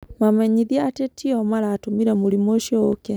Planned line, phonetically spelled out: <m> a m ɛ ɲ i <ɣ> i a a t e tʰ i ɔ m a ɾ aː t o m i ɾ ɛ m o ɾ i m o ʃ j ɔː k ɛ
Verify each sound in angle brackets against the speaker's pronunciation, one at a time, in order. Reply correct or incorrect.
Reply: correct, incorrect: ð

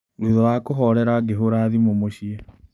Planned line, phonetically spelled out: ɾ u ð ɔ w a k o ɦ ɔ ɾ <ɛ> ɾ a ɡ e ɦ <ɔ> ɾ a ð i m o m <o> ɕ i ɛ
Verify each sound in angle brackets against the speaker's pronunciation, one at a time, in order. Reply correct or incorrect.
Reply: correct, incorrect: o, correct

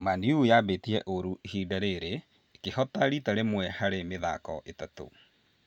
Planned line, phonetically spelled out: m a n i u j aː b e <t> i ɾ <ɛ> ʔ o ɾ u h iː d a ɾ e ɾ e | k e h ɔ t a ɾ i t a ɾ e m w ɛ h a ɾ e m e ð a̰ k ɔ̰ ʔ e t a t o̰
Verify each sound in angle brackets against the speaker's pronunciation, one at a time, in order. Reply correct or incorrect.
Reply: correct, correct

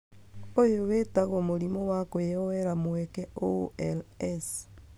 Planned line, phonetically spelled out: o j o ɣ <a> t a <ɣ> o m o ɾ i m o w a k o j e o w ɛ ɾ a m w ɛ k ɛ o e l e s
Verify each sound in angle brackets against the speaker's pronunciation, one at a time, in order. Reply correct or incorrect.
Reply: incorrect: e, correct

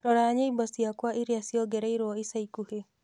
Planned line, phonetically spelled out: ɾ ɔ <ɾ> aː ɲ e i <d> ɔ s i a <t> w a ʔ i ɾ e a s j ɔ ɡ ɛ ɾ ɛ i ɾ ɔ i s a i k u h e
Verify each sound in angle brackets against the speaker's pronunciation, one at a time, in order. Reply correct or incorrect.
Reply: correct, incorrect: b, incorrect: k

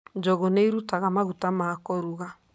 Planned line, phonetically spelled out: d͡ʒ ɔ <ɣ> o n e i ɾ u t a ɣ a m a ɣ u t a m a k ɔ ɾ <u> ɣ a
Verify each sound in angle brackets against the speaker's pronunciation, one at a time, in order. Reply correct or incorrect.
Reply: correct, correct

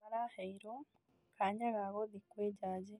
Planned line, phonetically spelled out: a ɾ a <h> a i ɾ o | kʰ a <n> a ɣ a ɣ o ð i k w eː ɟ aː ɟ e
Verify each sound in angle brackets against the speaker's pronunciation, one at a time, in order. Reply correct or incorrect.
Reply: correct, incorrect: ɲ

